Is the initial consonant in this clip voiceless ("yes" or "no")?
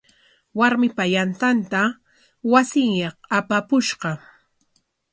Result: no